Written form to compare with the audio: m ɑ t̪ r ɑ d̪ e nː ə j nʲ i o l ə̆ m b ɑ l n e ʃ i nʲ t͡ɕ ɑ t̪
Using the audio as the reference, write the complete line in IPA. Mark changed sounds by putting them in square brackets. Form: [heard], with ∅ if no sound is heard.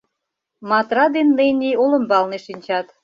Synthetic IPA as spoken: m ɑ t̪ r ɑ d̪ e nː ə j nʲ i o l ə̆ m b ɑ l n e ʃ i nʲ t͡ɕ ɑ t̪